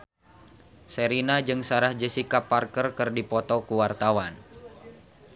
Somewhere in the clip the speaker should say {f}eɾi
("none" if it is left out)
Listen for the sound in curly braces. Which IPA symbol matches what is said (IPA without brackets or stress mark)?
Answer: s